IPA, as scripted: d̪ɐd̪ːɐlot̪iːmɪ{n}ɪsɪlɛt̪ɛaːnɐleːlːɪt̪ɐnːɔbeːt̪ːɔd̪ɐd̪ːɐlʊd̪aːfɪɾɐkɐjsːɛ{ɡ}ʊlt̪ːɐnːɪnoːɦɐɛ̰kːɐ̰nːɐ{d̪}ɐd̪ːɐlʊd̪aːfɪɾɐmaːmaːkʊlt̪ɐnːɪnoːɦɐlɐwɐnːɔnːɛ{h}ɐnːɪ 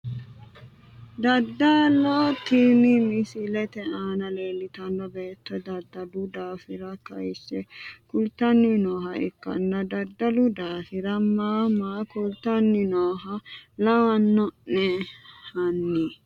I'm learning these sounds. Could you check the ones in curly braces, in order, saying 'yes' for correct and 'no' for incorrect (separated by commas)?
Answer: no, no, yes, yes